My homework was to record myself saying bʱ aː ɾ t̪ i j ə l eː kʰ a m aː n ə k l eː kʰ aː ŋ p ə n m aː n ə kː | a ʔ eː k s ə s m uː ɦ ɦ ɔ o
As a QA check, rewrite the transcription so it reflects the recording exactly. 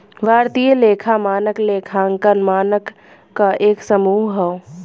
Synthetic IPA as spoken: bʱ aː ɾ t̪ i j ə l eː kʰ a m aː n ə k l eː kʰ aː ŋ k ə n m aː n ə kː | a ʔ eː k s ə m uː ɦ ɦ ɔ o